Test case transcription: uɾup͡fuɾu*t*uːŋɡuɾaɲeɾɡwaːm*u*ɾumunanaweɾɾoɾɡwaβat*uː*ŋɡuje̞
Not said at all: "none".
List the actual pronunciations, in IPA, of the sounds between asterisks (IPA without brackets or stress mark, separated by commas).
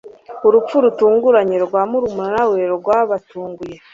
t, u, uː